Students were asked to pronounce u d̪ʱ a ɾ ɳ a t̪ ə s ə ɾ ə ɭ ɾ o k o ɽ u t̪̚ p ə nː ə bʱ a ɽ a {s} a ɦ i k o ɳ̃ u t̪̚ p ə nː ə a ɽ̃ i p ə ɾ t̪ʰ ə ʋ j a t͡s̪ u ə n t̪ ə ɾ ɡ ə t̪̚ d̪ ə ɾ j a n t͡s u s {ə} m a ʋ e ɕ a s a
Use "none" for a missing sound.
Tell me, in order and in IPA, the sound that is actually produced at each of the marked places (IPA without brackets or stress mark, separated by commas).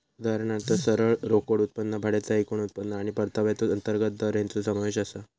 t͡s, ə